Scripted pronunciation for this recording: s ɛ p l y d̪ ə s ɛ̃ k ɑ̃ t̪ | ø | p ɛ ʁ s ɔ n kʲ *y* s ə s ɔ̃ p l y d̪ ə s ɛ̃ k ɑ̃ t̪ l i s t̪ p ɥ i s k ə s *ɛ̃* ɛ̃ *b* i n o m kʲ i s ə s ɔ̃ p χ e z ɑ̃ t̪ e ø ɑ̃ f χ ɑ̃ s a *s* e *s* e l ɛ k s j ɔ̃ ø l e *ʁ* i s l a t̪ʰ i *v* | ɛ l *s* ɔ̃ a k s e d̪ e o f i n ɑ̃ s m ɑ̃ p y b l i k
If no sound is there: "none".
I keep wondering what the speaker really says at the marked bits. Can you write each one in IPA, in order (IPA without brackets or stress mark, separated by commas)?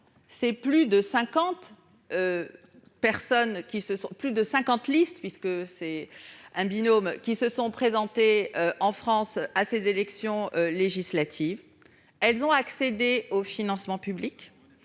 i, ɛ, b, s, z, ʒ, v, z